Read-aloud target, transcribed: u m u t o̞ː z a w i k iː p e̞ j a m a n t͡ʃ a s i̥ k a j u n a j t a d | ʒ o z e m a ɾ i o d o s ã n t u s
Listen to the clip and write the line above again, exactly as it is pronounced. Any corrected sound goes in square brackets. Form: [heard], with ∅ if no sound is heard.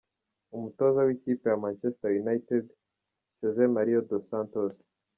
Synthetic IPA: u m u t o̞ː z a w i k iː p e̞ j a m a n t͡ʃ [e] s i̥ [t] a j u n a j t [e] d | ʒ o z e m a ɾ i o d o s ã n t [o] s